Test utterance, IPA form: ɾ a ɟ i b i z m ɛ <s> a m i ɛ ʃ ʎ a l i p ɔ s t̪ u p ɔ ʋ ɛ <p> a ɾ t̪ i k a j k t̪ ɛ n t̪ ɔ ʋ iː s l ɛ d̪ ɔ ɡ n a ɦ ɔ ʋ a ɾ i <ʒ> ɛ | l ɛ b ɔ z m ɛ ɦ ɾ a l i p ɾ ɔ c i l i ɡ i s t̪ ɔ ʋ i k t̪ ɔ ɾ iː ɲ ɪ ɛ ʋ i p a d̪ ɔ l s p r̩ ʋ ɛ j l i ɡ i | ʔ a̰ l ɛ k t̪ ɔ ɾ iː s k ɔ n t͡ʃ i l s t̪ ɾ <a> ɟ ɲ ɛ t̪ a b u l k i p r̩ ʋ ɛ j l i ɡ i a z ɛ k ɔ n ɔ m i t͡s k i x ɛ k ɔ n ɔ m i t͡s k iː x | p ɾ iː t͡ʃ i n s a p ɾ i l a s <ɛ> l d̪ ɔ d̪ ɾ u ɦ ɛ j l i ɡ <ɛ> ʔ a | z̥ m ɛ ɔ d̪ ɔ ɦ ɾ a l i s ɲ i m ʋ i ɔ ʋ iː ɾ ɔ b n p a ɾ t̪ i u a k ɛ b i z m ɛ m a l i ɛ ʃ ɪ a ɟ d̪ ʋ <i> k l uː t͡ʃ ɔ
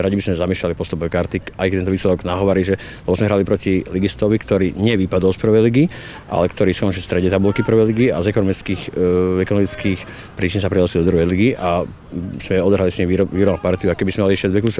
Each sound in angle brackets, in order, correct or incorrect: incorrect: z, incorrect: k, correct, incorrect: ɛ, incorrect: i, incorrect: i, incorrect: ɛ

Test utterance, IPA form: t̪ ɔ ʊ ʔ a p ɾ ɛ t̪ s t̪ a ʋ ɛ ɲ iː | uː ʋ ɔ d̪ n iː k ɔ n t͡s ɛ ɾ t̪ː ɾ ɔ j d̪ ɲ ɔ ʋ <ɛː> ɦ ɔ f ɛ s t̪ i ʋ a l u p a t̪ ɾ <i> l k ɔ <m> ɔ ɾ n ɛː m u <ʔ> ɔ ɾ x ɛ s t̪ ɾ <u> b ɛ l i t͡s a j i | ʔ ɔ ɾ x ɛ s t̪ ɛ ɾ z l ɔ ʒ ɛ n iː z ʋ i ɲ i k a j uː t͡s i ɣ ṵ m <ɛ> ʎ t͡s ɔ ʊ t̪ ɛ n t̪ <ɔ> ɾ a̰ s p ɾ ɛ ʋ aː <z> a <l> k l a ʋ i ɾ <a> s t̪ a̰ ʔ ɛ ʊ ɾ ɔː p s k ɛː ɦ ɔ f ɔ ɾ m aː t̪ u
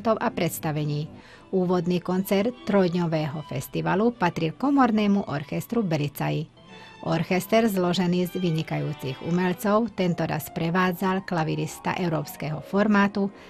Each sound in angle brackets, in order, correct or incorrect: correct, correct, correct, correct, correct, correct, correct, incorrect: d͡z, correct, incorrect: i

